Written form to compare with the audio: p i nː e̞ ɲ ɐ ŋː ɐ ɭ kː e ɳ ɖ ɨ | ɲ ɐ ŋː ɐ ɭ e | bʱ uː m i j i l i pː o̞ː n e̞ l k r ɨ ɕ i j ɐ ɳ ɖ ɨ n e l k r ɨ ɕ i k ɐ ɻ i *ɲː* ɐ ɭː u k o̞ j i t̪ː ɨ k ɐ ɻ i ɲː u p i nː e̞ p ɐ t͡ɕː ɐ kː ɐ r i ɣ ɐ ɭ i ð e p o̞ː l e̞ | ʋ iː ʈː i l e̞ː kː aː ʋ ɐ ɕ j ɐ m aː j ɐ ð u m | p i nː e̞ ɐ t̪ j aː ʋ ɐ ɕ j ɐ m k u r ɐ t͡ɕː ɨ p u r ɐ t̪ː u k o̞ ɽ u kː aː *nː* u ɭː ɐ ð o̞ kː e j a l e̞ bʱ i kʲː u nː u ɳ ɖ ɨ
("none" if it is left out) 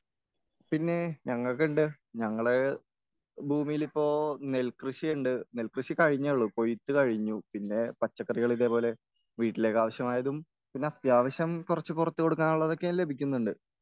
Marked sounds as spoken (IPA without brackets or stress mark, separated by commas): ɲː, n